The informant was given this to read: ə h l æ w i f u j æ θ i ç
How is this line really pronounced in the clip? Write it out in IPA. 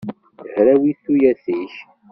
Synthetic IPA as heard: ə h ɾ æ w i θ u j æ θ i ç